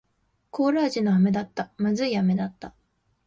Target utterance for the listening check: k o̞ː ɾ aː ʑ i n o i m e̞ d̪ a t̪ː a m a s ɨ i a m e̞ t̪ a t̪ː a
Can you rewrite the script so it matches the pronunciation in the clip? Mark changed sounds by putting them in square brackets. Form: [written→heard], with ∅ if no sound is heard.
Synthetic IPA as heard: k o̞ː ɾ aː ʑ i n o [i→a] m e̞ d̪ a t̪ː a m a [s→z] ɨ i a m e̞ [t̪→d̪] a t̪ː a